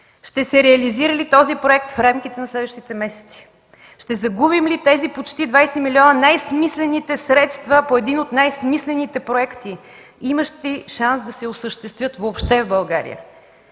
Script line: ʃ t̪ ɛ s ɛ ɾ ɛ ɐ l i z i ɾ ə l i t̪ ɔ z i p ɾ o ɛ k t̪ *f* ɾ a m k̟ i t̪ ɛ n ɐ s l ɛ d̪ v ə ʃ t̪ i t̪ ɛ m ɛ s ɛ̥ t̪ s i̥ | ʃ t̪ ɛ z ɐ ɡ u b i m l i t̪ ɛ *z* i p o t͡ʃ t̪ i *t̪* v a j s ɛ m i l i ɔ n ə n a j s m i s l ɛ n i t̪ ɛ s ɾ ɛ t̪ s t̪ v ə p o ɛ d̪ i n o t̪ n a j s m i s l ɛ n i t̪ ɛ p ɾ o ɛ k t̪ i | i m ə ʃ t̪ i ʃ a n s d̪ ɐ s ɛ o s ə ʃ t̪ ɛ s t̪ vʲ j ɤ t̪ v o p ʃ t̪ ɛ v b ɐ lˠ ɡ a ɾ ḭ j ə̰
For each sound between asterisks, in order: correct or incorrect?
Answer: correct, correct, incorrect: d̪

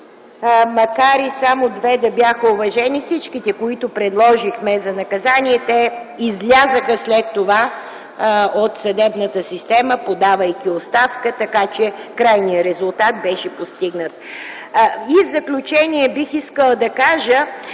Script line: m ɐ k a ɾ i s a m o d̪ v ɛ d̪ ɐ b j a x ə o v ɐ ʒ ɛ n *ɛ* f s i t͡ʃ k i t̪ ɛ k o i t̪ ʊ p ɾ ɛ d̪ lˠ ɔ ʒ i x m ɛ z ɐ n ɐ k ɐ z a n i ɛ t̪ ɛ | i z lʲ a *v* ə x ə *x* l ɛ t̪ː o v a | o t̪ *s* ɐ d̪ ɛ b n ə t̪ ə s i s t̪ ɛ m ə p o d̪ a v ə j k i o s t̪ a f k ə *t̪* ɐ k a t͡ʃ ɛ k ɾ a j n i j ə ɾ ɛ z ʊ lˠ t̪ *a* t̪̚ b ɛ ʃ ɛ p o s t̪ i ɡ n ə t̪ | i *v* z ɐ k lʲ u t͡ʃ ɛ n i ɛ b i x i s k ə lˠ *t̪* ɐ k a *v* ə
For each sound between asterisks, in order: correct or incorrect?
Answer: incorrect: i, incorrect: z, incorrect: s, correct, correct, correct, correct, incorrect: d̪, incorrect: ʒ

